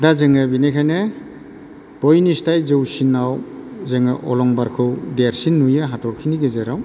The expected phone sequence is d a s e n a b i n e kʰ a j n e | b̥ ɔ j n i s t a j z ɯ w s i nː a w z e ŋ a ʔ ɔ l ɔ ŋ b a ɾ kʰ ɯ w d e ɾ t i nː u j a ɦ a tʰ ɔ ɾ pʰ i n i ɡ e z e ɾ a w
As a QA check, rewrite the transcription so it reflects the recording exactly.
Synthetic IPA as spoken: d a z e ŋ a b i n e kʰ a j n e | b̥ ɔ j n i s t a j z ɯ w s i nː a w z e ŋ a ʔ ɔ l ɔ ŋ b a ɾ kʰ ɯ w d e ɾ s i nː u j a ɦ a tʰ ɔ ɾ kʰ i n i ɡ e z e ɾ a w